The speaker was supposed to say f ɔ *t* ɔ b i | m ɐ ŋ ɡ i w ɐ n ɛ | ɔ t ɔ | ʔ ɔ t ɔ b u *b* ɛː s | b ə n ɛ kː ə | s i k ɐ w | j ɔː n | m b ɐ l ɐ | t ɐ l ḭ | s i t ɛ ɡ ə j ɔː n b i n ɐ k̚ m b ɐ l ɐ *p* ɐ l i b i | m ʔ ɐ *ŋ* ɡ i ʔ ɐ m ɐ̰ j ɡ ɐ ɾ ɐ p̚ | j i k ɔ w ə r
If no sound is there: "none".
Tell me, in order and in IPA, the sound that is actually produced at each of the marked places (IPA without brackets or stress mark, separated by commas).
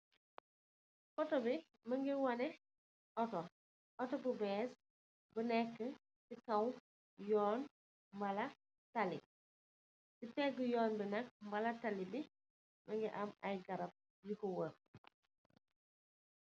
t, b, t, ŋ